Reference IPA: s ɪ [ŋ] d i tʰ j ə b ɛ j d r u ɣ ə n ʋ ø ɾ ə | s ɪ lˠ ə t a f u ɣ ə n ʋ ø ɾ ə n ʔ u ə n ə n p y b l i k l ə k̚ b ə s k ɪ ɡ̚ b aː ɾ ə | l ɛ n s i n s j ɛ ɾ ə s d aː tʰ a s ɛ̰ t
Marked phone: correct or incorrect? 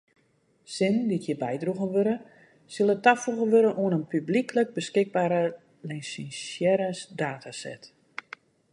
incorrect